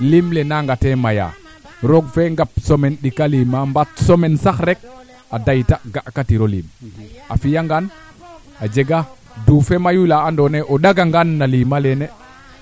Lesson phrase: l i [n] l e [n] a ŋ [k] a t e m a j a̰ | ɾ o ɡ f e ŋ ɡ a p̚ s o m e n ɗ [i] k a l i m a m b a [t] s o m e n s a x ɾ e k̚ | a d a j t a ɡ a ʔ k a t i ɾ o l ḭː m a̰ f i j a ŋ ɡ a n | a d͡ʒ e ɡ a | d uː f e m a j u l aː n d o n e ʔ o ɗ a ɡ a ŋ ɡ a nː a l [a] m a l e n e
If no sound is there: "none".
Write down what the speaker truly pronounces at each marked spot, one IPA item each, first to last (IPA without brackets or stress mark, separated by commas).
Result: m, n, ɡ, i, t, i